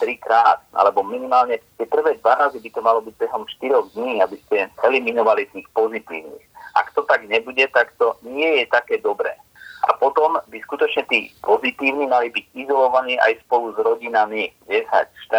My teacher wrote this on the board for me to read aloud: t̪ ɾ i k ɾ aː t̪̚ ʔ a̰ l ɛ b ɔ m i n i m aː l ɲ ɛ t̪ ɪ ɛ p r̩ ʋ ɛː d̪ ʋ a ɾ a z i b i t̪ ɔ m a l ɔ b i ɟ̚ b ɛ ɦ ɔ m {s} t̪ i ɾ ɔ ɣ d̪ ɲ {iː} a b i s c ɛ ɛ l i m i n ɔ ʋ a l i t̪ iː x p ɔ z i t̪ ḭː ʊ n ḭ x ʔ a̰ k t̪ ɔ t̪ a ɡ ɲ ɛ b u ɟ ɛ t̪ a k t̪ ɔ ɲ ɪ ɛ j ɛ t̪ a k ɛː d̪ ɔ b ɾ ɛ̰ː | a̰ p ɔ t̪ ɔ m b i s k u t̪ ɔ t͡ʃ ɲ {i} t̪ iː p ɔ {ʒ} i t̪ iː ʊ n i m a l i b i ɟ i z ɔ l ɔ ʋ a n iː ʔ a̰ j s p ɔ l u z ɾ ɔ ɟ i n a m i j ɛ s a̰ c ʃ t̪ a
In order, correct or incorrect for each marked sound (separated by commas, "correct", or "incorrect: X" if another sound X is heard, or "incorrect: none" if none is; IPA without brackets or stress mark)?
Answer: incorrect: ʃ, correct, incorrect: ɛ, incorrect: z